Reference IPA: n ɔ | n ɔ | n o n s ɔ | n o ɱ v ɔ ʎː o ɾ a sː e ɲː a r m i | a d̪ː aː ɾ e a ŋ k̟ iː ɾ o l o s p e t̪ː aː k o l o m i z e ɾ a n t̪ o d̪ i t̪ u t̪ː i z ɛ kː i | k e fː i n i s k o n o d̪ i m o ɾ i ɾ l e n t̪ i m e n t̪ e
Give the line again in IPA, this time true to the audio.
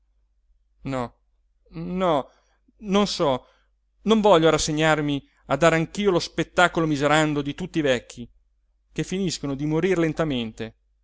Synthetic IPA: n ɔ | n ɔ | n o n s ɔ | n o ɱ v ɔ ʎː o ɾ a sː e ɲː a r m i | a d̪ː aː ɾ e a ŋ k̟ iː o l o s p e t̪ː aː k o l o m i z e ɾ a n d̪ o d̪ i t̪ u t̪ː i v ɛ kː i | k e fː i n i s k o n o d̪ i m o ɾ i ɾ l e n t̪ a m e n t̪ e